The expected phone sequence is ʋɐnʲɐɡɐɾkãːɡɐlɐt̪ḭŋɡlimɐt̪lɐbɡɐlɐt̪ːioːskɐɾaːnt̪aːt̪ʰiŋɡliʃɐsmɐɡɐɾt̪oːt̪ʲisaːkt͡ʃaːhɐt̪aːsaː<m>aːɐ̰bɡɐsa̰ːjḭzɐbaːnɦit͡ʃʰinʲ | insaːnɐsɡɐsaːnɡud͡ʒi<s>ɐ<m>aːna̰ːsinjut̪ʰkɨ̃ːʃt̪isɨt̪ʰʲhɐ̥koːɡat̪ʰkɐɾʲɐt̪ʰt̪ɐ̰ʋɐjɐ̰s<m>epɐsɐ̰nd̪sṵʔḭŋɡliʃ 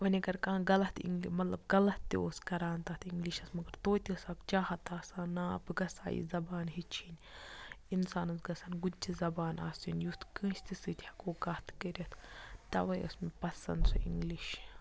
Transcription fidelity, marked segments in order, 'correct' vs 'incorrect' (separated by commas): incorrect, incorrect, incorrect, correct